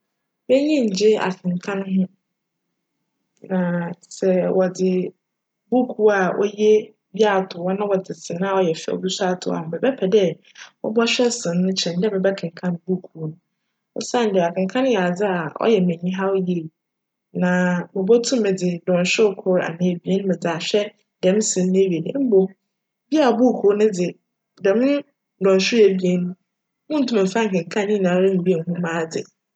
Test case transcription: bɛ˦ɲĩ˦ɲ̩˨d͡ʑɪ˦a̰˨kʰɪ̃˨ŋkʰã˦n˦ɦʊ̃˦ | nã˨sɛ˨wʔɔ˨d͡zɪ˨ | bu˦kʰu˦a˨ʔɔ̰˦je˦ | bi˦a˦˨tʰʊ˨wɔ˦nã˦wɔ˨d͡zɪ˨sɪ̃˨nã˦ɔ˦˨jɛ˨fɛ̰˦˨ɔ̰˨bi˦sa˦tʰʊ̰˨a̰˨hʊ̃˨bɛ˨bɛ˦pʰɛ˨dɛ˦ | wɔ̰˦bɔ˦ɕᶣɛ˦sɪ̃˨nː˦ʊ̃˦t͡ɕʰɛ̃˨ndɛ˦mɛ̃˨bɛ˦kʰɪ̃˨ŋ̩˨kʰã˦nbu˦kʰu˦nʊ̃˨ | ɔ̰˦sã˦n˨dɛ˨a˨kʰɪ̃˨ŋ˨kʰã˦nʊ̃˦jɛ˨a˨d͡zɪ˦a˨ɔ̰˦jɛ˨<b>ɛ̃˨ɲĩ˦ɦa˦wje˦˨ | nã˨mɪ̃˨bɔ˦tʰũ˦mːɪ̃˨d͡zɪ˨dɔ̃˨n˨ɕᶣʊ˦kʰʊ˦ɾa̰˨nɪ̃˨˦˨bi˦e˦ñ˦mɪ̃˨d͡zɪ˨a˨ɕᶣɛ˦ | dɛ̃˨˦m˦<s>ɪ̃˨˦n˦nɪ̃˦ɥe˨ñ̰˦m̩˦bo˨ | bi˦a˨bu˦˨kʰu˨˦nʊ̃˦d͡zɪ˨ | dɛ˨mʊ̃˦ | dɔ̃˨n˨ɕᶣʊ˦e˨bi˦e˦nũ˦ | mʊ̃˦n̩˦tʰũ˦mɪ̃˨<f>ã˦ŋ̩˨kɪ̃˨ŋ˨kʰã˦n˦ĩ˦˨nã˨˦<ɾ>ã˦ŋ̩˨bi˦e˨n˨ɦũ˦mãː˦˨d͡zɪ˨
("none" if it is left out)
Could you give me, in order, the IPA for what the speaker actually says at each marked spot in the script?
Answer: m, s, f, ɾ

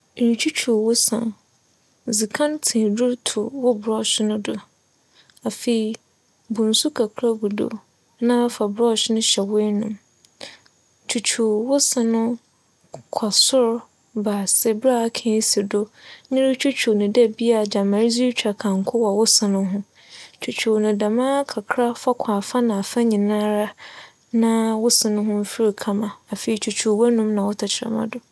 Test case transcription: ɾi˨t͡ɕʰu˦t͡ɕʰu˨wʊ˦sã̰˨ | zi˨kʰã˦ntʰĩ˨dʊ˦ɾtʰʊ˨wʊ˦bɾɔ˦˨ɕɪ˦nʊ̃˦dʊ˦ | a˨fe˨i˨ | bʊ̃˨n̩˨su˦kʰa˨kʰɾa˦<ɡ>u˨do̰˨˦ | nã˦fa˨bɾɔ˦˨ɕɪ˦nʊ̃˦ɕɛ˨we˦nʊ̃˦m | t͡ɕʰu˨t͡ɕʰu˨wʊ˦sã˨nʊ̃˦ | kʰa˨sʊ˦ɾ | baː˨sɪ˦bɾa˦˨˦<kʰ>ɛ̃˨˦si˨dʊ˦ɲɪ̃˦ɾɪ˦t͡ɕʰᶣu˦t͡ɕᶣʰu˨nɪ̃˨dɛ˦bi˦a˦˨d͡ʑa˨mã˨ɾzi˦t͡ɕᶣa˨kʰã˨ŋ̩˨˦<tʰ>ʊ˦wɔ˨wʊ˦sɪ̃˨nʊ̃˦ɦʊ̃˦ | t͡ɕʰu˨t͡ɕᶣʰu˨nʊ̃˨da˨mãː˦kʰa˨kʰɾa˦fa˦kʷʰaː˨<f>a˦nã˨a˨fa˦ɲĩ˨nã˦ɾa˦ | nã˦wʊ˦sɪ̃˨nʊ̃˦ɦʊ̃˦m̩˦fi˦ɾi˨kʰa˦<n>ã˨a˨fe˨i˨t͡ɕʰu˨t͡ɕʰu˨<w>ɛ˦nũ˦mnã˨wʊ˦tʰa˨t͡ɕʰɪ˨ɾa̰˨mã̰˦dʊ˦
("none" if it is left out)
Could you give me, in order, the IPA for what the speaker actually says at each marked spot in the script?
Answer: ɡ, kʰ, kʰ, f, m, w

